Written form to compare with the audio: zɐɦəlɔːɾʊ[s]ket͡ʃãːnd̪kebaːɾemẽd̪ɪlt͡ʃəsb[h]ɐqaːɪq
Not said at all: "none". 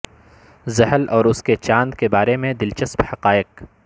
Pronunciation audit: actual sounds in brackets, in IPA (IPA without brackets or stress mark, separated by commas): s, h